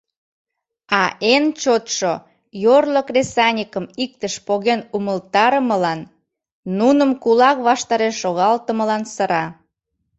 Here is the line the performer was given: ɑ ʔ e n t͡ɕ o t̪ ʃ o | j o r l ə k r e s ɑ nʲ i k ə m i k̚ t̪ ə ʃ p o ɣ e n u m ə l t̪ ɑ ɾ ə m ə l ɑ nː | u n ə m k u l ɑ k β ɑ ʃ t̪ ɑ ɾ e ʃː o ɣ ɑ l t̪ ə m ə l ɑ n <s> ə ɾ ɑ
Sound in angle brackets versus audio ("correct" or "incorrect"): correct